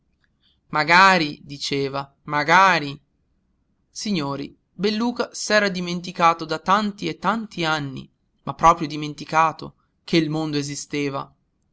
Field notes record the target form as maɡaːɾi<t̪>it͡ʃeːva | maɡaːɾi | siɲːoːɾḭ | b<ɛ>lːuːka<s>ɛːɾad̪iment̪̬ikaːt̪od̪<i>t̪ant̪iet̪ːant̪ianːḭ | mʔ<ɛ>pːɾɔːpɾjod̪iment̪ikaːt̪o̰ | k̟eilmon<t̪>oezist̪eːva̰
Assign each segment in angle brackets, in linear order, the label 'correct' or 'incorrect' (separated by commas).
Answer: incorrect, incorrect, correct, incorrect, incorrect, incorrect